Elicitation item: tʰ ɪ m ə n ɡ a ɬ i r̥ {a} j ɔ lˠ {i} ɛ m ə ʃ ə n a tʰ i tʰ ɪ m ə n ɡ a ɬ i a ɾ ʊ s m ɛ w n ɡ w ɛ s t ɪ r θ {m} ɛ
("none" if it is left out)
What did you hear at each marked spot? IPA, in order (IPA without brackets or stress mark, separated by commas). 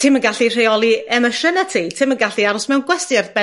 e, i, b